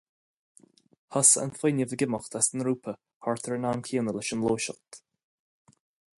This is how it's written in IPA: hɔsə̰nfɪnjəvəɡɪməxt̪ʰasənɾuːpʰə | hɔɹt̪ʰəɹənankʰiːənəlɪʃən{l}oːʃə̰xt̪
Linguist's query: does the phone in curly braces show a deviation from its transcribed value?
no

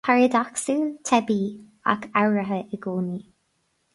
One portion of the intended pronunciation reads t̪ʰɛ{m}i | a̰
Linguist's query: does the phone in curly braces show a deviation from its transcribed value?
yes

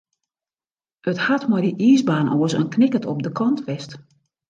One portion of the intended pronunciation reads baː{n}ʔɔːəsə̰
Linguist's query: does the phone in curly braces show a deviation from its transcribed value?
no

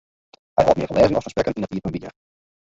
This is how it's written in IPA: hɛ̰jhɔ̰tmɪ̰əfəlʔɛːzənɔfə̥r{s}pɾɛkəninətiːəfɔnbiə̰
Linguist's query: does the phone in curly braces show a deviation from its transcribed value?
no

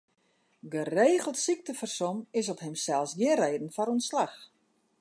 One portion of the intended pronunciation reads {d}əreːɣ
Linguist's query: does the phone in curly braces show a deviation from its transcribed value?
yes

